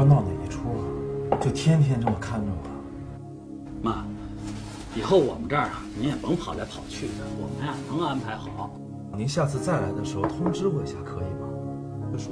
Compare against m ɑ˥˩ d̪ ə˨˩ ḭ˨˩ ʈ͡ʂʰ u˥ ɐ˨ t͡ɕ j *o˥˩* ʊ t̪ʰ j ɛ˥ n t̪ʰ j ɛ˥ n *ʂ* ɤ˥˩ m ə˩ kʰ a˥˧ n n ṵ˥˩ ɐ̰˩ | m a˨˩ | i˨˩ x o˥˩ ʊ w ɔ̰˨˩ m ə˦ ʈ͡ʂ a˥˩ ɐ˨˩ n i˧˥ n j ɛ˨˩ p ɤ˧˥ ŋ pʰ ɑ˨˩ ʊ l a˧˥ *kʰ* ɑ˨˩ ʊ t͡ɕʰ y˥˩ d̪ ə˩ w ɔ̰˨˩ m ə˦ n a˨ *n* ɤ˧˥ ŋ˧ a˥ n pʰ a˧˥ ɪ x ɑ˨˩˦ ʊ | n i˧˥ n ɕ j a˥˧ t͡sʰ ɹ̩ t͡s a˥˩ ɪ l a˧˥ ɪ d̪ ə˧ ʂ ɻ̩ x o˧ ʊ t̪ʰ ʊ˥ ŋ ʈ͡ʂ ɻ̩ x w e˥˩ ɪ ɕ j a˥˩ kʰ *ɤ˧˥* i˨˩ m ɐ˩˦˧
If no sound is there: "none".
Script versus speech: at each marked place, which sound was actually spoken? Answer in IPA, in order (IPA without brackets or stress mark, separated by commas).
o˥˩, ʈ͡ʂ, pʰ, n, ɤ˧˥